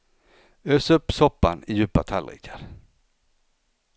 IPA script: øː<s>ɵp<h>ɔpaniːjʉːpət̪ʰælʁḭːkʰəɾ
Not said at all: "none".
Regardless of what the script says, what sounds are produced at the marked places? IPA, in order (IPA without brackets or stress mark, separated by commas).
s, s